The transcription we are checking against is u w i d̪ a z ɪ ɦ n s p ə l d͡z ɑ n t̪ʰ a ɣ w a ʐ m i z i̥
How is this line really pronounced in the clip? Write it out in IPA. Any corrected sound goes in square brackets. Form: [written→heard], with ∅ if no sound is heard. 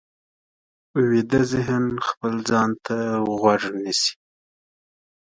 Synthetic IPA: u w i d̪ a z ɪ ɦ n [s→x] p ə l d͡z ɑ n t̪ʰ a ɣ w a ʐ [m→n] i [z→s] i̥